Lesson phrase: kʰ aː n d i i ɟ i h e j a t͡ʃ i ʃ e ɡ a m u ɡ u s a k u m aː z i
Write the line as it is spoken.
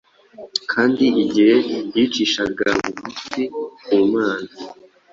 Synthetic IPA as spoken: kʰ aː n d i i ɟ i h e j i t͡ʃ i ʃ a ɡ a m u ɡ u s i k u m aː z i